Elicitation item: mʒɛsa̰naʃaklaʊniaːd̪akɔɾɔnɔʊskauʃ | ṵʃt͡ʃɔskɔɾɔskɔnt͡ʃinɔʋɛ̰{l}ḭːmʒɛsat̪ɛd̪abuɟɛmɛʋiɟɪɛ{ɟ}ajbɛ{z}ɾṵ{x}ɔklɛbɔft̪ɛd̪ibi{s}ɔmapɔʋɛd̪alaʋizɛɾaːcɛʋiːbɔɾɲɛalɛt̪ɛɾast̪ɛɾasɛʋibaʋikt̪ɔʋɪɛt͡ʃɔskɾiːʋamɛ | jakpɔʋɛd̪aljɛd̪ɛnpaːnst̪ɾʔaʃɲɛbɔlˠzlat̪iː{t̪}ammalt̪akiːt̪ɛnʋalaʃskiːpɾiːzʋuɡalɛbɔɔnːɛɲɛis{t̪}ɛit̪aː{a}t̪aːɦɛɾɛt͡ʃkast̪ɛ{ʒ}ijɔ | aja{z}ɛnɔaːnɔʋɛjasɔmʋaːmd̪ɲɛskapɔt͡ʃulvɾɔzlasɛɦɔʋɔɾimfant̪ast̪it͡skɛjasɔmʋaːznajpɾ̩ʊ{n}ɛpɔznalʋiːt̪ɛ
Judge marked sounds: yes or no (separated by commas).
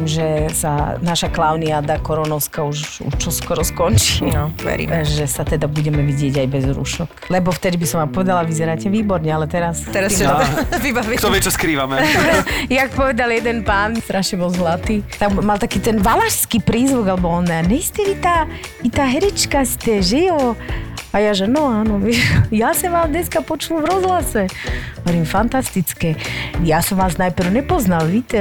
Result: no, yes, yes, no, yes, yes, yes, no, yes, no, no